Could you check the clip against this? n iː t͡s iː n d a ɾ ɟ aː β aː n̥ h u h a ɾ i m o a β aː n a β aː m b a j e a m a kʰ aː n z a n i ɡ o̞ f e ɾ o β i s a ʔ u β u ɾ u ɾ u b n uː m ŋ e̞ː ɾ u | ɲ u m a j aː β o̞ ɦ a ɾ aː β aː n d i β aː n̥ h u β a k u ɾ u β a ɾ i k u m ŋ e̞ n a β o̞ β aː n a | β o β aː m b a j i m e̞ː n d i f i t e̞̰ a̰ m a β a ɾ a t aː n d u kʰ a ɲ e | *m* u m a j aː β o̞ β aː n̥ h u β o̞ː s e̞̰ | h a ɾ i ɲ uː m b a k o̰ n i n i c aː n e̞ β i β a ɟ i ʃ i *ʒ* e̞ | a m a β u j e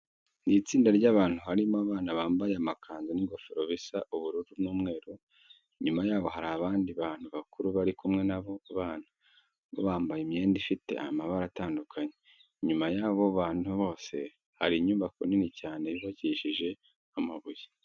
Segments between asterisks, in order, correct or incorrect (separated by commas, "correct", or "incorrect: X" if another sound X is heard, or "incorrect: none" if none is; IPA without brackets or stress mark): incorrect: ɲ, correct